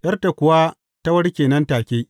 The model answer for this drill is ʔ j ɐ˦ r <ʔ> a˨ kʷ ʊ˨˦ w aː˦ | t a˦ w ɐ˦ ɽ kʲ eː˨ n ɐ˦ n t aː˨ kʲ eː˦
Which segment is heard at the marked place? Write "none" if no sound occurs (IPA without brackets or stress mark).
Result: t